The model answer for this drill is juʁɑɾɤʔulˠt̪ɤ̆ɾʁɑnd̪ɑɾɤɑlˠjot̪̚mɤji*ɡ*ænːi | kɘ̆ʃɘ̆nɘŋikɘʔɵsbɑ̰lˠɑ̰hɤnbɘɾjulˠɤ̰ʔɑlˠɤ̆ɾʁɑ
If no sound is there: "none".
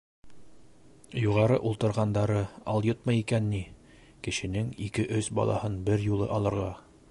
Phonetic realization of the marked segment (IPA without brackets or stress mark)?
k